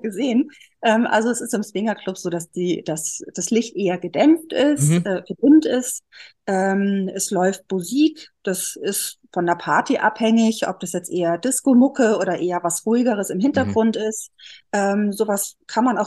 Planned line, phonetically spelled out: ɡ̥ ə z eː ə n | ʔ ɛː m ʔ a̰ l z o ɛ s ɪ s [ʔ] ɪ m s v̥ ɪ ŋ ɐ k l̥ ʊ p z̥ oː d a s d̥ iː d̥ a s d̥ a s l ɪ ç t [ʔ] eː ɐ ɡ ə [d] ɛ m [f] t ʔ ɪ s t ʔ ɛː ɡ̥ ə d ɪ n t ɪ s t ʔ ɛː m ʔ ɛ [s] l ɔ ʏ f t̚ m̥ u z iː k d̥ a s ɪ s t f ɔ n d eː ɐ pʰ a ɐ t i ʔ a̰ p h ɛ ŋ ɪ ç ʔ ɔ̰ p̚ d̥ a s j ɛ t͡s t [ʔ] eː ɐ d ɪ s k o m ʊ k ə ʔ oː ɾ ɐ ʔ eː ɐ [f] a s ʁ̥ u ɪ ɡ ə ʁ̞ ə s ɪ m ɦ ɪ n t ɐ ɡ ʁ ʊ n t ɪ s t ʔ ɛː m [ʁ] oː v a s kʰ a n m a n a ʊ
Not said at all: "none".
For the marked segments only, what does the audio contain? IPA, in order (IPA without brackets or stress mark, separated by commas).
t, ʔ, d, f, s, ʔ, v, z